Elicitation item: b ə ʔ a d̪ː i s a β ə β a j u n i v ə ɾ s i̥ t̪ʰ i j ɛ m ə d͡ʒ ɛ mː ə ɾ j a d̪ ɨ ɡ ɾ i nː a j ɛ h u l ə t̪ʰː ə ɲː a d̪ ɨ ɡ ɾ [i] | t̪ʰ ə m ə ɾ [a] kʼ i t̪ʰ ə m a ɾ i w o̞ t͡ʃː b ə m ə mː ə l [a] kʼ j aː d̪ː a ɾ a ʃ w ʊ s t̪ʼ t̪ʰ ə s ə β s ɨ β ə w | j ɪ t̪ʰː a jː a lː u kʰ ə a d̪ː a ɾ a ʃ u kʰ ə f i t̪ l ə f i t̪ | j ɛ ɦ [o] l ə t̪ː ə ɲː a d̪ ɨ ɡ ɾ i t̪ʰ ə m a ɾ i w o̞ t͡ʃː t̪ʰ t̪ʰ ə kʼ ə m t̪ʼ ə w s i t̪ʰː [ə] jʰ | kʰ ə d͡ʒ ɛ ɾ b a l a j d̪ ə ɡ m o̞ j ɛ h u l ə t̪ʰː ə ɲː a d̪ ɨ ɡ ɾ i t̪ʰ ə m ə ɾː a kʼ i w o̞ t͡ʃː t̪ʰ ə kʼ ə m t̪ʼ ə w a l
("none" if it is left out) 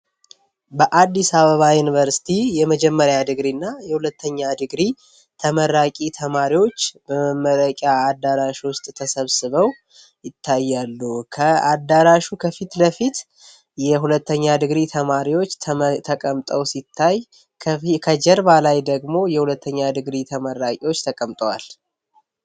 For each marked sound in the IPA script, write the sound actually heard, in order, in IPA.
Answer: i, a, ə, u, a

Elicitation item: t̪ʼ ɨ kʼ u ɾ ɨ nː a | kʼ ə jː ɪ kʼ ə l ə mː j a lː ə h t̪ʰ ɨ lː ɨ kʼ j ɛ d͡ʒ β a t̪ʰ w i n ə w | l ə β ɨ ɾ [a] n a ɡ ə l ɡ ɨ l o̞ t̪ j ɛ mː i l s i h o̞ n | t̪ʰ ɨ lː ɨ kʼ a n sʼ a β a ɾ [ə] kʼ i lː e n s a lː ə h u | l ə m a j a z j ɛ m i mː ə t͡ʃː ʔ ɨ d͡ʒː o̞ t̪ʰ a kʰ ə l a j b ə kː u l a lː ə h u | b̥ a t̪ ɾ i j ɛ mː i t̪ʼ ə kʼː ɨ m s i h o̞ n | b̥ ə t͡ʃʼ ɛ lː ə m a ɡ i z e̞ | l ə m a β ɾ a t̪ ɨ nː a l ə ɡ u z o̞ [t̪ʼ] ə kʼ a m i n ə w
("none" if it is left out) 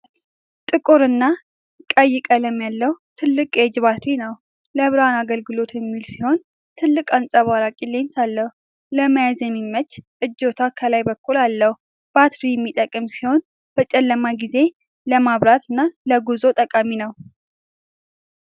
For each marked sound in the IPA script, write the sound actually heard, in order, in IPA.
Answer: a, a, t̪ʼ

